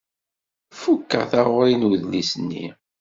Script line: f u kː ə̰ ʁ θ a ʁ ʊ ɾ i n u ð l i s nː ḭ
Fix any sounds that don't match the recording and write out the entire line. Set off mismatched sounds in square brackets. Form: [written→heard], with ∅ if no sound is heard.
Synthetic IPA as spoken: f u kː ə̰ ʁ θ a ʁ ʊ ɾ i n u ð l i s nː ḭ